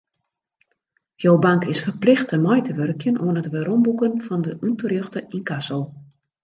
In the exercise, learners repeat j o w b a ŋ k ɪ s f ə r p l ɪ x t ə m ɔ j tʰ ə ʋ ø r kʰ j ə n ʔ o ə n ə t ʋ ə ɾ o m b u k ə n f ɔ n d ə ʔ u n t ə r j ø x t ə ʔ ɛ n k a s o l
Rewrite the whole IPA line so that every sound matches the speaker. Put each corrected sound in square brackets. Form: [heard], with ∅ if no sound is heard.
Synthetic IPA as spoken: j o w b a ŋ k ɪ s f ə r p l ɪ x t ə m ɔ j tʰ ə ʋ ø r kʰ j ə n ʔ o ə n ə t ʋ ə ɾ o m b u k ə n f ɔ n d ə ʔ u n t ə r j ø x t ə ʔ [i] n k a s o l